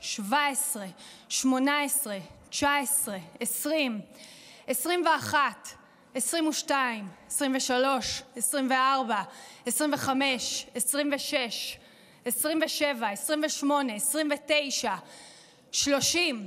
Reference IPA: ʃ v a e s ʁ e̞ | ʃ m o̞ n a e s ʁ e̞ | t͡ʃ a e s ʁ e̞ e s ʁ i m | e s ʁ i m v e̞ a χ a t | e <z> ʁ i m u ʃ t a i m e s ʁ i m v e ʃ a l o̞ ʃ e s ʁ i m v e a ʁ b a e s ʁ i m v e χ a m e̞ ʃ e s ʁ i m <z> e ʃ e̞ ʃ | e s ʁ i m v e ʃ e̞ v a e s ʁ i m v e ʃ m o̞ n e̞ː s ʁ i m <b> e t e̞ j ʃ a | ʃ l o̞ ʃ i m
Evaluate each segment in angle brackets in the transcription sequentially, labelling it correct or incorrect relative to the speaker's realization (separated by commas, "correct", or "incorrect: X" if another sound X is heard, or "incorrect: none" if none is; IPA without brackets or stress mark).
incorrect: s, incorrect: v, incorrect: v